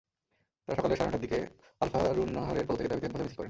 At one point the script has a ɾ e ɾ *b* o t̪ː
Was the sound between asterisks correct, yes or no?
no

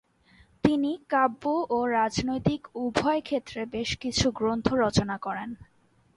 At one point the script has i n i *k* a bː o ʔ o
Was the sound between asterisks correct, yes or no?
yes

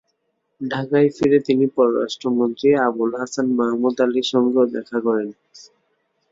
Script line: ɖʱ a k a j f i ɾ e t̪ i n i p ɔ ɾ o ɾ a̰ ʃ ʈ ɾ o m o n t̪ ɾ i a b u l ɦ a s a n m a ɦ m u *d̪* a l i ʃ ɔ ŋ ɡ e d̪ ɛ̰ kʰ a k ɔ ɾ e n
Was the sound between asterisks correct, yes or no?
yes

